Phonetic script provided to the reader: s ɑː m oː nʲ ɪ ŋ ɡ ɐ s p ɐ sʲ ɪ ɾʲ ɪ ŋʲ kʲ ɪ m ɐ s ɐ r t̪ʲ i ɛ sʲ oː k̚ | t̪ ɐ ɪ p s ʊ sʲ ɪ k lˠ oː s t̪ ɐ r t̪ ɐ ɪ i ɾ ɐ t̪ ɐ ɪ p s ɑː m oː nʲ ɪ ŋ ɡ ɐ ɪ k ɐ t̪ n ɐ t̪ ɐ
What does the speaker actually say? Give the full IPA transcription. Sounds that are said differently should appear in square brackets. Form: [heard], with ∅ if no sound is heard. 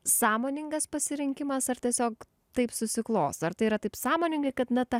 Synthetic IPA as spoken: s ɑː m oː nʲ ɪ ŋ ɡ ɐ s p ɐ sʲ ɪ ɾʲ ɪ ŋʲ kʲ ɪ m ɐ s ɐ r t̪ʲ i ɛ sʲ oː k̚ | t̪ ɐ ɪ p s ʊ sʲ ɪ k lˠ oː s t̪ ɐ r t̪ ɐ ɪ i ɾ ɐ t̪ ɐ ɪ p s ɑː m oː nʲ ɪ ŋ ɡ ɐ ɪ k ɐ t̪ n ɐ t̪ ɐ